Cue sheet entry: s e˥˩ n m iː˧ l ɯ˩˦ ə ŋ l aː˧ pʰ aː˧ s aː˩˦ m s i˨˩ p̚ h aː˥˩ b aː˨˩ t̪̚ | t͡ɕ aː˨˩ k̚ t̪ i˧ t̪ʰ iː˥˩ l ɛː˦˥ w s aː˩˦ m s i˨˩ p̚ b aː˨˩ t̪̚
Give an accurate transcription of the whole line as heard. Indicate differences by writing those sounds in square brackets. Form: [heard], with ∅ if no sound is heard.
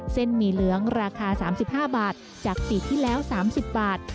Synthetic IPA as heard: s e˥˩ n m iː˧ l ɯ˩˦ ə ŋ [ɾ] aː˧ [kʰ] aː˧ s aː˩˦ m s i˨˩ p̚ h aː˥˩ b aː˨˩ t̪̚ | t͡ɕ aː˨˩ k̚ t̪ [i˨˩] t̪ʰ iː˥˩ l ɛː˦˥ w s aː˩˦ m s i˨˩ p̚ b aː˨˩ t̪̚